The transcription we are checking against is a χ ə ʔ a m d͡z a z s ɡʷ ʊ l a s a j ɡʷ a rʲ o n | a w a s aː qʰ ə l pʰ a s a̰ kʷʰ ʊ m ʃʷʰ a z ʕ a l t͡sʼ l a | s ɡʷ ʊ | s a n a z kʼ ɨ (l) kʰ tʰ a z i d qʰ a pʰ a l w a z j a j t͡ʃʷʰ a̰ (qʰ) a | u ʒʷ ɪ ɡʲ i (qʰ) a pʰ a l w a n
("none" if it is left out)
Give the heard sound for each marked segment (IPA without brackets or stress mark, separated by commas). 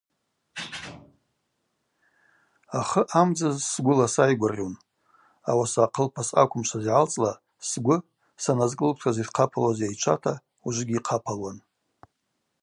l, tʰ, qʰ